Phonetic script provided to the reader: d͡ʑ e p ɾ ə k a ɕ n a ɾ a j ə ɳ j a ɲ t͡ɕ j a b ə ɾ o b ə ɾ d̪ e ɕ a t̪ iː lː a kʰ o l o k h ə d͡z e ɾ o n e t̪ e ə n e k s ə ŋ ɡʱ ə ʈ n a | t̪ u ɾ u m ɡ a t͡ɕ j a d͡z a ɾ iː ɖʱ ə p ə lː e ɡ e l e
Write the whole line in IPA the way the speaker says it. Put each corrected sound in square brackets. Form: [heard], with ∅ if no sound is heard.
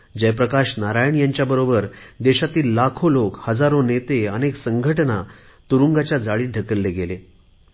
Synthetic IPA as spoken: d͡ʑ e p ɾ ə k a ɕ n a ɾ a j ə ɳ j a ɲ t͡ɕ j a b ə ɾ o b ə ɾ d̪ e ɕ a t̪ iː lː a kʰ o l o k h ə d͡z [a] ɾ o n e t̪ e ə n e k s ə ŋ ɡʱ ə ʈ n a | t̪ u ɾ u [ŋ] ɡ a t͡ɕ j a d͡z a [ɭ] iː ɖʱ ə [k] ə lː e ɡ e l e